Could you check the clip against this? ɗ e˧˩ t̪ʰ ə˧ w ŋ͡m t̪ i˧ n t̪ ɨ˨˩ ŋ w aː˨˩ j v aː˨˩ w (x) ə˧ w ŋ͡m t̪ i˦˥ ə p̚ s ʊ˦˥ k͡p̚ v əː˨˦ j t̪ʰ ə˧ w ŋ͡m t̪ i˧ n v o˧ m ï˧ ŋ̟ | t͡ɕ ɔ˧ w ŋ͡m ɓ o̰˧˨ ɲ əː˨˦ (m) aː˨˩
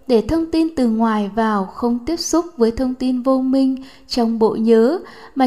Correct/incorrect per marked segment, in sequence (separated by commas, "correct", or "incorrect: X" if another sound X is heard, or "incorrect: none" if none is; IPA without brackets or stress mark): correct, correct